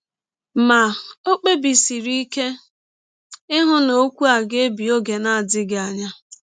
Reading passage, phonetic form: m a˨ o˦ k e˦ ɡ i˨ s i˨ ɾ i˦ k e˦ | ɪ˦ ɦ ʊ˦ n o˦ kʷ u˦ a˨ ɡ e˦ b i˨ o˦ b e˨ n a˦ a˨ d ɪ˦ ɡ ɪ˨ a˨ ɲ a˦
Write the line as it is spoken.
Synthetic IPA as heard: m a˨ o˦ k͡p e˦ b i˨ s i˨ ɾ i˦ k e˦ | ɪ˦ ɦ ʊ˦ n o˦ kʷ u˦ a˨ ɡ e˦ b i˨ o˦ ɡ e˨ n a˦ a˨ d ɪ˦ ɡ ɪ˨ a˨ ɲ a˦